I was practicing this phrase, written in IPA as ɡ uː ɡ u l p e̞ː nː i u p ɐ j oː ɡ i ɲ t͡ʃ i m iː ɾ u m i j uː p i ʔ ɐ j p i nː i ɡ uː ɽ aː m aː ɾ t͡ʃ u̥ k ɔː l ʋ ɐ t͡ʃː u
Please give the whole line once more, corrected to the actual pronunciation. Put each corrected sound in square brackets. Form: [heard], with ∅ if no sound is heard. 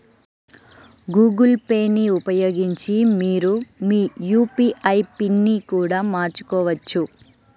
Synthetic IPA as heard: ɡ uː ɡ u l p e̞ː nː i u p ɐ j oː ɡ i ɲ t͡ʃ i m iː ɾ u m [iː] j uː p i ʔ ɐ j p i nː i [k] uː ɽ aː m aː ɾ t͡ʃ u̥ k ɔː [∅] ʋ ɐ t͡ʃː u

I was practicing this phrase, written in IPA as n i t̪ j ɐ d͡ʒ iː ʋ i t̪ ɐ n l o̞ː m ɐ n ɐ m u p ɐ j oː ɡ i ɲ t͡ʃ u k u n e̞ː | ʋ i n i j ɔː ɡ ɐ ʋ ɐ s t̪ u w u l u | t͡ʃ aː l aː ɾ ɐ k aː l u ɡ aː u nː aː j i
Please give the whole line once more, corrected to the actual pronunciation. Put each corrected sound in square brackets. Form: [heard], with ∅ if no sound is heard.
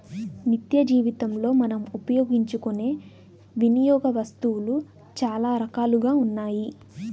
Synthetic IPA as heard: n i t̪ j ɐ d͡ʒ iː ʋ i t̪ ɐ [m] l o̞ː m ɐ n ɐ m u p ɐ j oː ɡ i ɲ t͡ʃ u k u n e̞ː | ʋ i n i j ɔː ɡ ɐ ʋ ɐ s t̪ u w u l u | t͡ʃ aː l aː ɾ ɐ k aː l u ɡ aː u nː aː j i

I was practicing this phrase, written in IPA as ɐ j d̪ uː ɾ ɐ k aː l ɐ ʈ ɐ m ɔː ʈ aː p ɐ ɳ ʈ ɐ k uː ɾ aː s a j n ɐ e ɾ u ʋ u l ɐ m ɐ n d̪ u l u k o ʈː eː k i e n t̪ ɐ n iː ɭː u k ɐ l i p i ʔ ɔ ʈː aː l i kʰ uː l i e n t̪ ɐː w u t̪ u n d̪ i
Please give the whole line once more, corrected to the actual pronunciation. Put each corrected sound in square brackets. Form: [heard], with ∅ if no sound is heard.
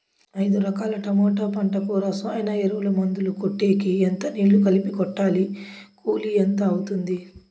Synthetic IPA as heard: ɐ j d̪ [u] ɾ ɐ k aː l ɐ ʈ ɐ m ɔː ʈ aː p ɐ ɳ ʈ ɐ k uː ɾ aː s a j n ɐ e ɾ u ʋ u l ɐ m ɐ n d̪ u l u k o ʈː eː k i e n t̪ ɐ n iː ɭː u k ɐ l i p i [k] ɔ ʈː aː l i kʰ uː l i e n t̪ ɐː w u t̪ u n d̪ i

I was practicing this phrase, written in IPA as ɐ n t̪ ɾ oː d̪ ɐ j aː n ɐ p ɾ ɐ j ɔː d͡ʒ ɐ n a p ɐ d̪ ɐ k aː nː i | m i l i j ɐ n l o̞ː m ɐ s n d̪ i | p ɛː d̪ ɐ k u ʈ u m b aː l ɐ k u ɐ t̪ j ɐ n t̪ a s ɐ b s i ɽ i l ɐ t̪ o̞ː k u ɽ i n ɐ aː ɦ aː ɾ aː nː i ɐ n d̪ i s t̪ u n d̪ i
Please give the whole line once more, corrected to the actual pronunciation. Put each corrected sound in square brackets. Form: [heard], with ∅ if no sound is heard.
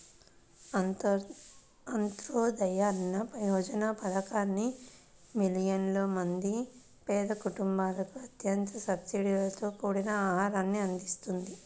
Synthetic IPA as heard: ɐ n t̪ ɾ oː d̪ ɐ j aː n ɐ p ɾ ɐ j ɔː d͡ʒ ɐ n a p ɐ d̪ ɐ k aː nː i | m i l i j ɐ n l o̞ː m ɐ [∅] n d̪ i | p ɛː d̪ ɐ k u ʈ u m b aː l ɐ k u ɐ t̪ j ɐ n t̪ [ɐ] s ɐ b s i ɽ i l ɐ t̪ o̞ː k [uː] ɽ i n ɐ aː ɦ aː ɾ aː nː i ɐ n d̪ i s t̪ u n d̪ i

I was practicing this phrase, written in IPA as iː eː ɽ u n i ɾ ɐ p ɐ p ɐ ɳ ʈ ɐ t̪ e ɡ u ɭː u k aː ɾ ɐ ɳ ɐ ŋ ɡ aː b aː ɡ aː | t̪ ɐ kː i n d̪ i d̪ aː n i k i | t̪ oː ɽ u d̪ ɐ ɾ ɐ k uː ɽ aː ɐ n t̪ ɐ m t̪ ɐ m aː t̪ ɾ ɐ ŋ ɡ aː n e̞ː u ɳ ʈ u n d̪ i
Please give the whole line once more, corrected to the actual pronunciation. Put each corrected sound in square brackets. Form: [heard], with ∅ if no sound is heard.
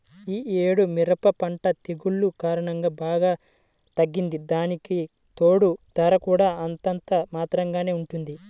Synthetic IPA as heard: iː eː ɽ u [m] i ɾ ɐ p ɐ p ɐ ɳ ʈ ɐ t̪ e ɡ u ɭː u k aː ɾ ɐ ɳ ɐ ŋ ɡ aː b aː ɡ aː | t̪ ɐ [ɡː] i n d̪ i d̪ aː n i k i | t̪ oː ɽ u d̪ ɐ ɾ ɐ k uː ɽ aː ɐ n t̪ ɐ [n] t̪ ɐ m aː t̪ ɾ ɐ ŋ ɡ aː n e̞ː u ɳ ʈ u n d̪ i

